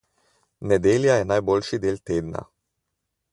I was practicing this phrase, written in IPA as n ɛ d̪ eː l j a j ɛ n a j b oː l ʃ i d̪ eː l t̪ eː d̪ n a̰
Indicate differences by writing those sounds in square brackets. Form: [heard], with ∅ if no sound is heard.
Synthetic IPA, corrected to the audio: n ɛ d̪ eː l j a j ɛ n a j b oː l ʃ i d̪ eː l t̪ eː d̪ n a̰